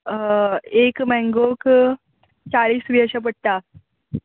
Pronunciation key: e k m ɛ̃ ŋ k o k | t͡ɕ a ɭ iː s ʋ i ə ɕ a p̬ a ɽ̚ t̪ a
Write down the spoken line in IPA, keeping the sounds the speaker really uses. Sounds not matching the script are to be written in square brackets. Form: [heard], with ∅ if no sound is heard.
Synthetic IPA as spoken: e k m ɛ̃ ŋ [ɡ] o k | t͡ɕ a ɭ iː s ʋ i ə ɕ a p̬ [ə] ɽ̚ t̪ a

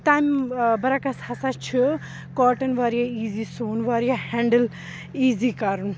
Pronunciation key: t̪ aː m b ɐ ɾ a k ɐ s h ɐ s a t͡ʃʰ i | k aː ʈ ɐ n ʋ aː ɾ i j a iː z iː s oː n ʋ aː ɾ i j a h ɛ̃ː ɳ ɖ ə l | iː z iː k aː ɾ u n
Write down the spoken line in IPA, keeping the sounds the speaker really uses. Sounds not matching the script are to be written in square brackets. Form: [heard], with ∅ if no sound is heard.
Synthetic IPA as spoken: t̪ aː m b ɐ ɾ a k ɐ s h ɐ s a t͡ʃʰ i | k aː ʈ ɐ n ʋ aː ɾ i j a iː z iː s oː n ʋ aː ɾ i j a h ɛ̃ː ɳ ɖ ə l | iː z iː k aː ɾ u n

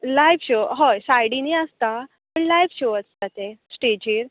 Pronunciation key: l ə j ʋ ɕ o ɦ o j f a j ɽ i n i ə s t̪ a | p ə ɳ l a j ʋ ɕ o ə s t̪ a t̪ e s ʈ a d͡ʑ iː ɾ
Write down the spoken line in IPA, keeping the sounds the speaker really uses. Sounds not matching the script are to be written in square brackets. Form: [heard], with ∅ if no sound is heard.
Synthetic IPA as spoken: l [a] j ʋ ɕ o ɦ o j [s] a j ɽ i n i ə s t̪ a | p ə ɳ l a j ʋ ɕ o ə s t̪ a t̪ e s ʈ [e] d͡ʑ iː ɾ

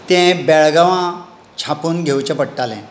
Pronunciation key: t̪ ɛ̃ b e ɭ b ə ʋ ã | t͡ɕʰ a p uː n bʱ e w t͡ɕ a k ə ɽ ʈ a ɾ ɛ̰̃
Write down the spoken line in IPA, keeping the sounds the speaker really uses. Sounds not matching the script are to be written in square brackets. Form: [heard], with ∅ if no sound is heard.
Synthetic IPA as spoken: t̪ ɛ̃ b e ɭ [ɡ] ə ʋ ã | t͡ɕʰ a p uː n [ɡʱ] e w t͡ɕ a [p] ə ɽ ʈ a [l] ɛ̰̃

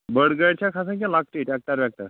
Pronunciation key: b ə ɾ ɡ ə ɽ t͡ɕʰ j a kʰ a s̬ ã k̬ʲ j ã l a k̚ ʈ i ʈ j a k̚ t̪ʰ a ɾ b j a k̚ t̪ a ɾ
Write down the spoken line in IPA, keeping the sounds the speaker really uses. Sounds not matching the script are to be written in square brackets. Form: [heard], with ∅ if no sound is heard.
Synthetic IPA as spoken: b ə [ɽ] ɡ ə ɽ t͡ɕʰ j a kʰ a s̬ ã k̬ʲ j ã l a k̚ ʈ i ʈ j a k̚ [t̪] a ɾ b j a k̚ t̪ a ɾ

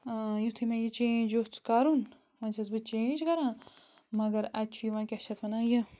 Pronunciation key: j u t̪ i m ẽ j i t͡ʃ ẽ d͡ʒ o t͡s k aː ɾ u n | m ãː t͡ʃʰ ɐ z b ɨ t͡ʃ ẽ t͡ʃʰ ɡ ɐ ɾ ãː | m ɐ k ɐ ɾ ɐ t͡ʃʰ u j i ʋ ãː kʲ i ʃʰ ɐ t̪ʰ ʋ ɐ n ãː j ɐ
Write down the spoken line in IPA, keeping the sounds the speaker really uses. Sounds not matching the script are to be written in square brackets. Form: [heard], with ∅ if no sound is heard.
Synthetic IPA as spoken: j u [t̪ʰ] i m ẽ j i t͡ʃ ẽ d͡ʒ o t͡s k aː ɾ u n | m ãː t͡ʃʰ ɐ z b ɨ t͡ʃ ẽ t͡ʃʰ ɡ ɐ ɾ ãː | m ɐ [ɡ] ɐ ɾ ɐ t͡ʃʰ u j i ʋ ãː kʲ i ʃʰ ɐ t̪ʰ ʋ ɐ n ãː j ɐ

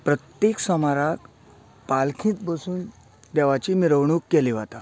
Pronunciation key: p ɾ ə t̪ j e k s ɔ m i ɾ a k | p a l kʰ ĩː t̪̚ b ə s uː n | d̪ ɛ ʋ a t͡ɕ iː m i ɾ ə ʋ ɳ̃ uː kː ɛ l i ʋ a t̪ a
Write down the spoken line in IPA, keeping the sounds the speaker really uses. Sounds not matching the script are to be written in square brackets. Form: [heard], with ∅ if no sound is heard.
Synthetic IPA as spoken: p ɾ ə t̪ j e k s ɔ m [a] ɾ a k | p a l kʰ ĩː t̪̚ b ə s uː n | d̪ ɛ ʋ a t͡ɕ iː m i ɾ ə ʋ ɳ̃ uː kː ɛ l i ʋ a t̪ a

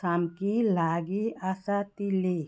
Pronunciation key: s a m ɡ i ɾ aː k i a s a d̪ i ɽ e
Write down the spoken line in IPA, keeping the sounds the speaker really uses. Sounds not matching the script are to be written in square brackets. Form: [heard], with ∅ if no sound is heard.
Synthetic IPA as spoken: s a m [k] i [l] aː [ɡ] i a s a [t̪] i [l] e

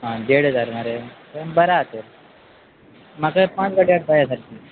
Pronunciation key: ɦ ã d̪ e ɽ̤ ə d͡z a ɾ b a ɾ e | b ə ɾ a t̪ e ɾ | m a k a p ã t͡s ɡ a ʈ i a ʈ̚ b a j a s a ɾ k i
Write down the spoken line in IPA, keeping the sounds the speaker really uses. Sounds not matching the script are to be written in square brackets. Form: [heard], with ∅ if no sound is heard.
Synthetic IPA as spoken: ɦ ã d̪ e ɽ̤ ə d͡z a ɾ [m] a ɾ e | b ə ɾ a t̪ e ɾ | m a k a p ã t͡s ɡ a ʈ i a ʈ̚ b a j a s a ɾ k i

